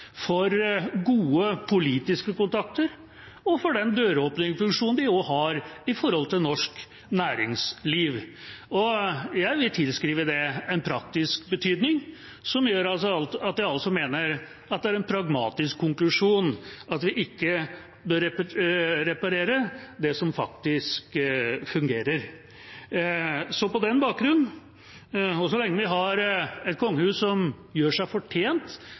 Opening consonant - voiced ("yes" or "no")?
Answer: no